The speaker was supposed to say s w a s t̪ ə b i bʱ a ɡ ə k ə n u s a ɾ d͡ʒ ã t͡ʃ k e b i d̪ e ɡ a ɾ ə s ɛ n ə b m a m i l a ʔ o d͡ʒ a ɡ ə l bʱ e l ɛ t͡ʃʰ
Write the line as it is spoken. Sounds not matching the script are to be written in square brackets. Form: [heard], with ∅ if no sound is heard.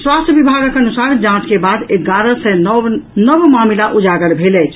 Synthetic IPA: s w a s t̪ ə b i bʱ a ɡ ə k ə n u s a ɾ d͡ʒ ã t͡ʃ k e b [a] d̪ e ɡ a ɾ ə s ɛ n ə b m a m i l a ʔ [u] d͡ʒ a ɡ ə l bʱ e l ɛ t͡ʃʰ